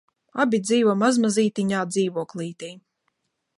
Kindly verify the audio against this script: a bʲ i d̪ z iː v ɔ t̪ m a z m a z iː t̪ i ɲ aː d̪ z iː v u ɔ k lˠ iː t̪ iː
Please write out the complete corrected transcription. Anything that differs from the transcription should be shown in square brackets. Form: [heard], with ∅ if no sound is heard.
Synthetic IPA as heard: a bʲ i d̪ z iː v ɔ [∅] m a z m a z iː t̪ i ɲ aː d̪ z iː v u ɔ k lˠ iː t̪ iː